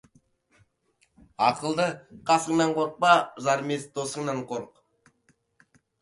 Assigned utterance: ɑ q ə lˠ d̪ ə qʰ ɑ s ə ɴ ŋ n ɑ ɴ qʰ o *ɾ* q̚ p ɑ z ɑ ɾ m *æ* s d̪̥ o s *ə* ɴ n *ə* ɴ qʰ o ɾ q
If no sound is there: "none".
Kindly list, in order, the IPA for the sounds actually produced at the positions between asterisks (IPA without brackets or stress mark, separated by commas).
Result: ɾ, e, ə, ɑ